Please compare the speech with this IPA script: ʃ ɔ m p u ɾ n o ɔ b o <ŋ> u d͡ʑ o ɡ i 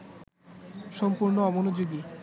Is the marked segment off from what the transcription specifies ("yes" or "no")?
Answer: yes